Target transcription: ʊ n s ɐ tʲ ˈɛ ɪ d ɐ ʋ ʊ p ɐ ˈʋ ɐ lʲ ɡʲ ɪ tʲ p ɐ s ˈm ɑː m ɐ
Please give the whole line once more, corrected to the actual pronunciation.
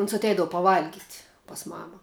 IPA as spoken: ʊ n s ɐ tʲ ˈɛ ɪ d ɐ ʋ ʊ p ɐ ˈʋ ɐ lʲ ɡʲ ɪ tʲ p ɐ s ˈm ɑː m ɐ